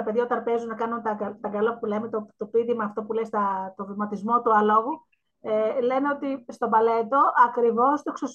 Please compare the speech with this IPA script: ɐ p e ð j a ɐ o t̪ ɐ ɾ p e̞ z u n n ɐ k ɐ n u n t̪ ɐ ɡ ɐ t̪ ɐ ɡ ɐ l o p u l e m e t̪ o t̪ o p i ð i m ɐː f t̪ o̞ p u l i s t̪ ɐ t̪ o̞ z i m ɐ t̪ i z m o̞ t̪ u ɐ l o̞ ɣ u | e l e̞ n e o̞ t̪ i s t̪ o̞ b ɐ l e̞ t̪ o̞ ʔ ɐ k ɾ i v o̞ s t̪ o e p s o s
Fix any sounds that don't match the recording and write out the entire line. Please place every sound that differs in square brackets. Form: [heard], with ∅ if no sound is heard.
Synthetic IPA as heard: ɐ p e ð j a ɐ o t̪ ɐ ɾ p e̞ z u n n ɐ k ɐ n u n t̪ ɐ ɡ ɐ t̪ ɐ ɡ ɐ l o p u l e m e t̪ o t̪ o p i ð i m ɐː f t̪ o̞ p u l [e] s t̪ ɐ t̪ o̞ [v] i m ɐ t̪ i z m o̞ t̪ u ɐ l o̞ ɣ u | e l e̞ n e o̞ t̪ i s t̪ o̞ b ɐ l e̞ t̪ o̞ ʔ ɐ k ɾ i v o̞ s t̪ o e [k] s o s